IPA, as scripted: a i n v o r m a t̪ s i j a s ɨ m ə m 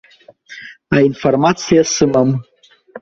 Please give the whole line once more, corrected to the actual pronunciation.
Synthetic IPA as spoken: a i n f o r m a t̪ s i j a s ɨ m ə m